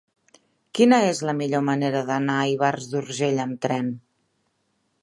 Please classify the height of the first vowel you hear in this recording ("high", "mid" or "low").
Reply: high